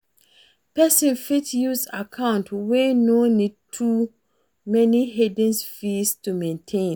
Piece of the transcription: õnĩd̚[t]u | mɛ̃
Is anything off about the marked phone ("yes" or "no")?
yes